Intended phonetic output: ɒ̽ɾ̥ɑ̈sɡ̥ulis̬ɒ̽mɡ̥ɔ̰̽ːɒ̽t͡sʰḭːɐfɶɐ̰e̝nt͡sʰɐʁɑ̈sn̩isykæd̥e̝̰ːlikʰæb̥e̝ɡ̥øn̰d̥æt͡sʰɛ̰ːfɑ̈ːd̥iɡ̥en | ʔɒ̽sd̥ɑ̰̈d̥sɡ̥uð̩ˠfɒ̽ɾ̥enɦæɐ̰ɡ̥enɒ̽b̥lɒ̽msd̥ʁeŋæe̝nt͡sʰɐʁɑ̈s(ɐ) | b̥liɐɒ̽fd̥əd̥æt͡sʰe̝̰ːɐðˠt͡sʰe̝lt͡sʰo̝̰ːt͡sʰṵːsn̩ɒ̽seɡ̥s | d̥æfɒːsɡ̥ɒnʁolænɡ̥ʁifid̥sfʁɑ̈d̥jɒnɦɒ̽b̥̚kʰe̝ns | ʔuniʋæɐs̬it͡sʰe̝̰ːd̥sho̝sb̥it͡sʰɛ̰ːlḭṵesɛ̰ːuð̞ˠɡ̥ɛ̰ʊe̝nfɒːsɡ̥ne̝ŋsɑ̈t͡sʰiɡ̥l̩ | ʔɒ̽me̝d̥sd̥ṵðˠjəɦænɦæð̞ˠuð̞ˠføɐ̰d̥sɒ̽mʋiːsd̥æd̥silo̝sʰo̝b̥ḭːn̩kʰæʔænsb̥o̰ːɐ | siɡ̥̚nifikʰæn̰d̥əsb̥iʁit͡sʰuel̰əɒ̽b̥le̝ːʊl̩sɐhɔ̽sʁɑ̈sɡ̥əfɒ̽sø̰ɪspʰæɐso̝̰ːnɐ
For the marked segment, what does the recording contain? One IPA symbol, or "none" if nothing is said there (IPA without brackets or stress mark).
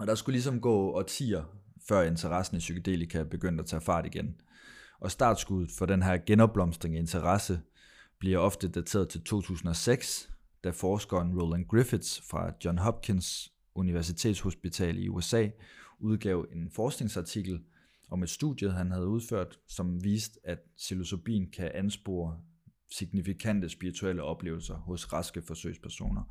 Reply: ə